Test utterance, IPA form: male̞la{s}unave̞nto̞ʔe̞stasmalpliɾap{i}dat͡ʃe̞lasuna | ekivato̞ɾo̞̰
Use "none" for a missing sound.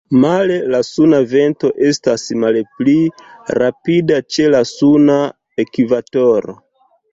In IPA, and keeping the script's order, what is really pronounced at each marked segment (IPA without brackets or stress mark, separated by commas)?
s, i